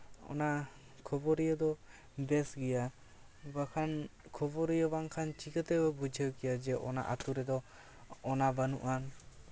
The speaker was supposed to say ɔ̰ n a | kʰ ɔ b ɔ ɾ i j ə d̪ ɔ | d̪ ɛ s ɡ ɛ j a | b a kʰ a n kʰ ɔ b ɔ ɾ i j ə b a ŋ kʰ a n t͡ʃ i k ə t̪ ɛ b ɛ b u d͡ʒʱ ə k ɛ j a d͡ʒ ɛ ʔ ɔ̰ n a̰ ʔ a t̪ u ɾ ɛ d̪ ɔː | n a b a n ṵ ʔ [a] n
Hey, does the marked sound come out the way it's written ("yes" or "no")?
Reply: yes